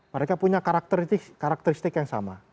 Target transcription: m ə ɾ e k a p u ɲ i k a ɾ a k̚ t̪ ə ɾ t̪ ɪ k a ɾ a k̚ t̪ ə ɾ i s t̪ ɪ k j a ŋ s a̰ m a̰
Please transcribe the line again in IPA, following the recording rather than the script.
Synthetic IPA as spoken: m ə ɾ e k a p u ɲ a k a ɾ a k̚ t̪ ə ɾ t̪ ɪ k a ɾ a k̚ t̪ ə ɾ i s t̪ ɪ k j a ŋ s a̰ m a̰